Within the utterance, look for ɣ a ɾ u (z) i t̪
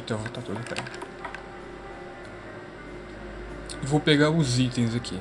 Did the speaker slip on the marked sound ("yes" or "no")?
no